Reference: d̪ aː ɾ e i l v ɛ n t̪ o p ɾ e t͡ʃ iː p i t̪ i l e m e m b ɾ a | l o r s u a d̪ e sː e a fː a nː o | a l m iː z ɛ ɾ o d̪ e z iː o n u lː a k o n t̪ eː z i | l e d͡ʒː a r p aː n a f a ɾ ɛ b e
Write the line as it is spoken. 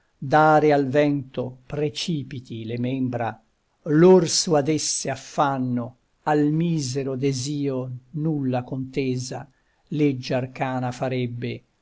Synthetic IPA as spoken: d̪ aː ɾ e a l v ɛ n t̪ o p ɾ e t͡ʃ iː p i t̪ i l e m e m b ɾ a | l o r s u a d̪ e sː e a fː a nː o | a l m iː z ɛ ɾ o d̪ e z iː o n u lː a k o n t̪ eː z a | l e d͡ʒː a r k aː n a f a ɾ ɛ bː e